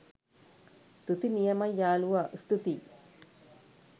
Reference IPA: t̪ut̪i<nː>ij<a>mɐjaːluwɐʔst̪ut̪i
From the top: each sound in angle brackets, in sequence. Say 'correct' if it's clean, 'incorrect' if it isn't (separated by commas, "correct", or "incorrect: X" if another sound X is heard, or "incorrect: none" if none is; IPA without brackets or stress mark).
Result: incorrect: n, incorrect: ɐ